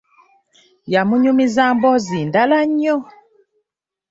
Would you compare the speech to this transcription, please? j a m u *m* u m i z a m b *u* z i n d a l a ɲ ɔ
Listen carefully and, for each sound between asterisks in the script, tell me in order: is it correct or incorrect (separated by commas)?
incorrect, incorrect